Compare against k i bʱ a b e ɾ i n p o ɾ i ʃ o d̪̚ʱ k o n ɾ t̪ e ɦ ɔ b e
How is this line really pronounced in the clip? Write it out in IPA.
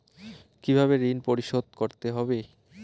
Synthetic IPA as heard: k i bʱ a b e ɾ i n p o ɾ i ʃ o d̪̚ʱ k o ɾ t̪ e ɦ ɔ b e